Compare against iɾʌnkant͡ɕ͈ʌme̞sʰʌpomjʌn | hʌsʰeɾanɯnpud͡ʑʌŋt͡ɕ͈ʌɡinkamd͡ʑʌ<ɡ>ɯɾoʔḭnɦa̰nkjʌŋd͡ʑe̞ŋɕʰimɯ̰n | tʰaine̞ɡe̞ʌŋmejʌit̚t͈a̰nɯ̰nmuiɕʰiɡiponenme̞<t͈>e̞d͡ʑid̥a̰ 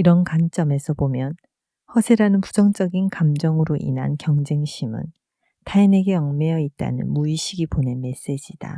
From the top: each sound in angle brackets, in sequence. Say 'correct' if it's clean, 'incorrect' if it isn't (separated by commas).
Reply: incorrect, incorrect